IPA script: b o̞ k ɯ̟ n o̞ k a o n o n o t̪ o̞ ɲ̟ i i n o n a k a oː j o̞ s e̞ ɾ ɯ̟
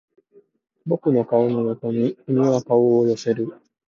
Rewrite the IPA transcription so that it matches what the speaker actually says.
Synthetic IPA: b o̞ k ɯ̟ n o̞ k a o n o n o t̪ o̞ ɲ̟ i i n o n a k a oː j o̞ s e̞ ɾ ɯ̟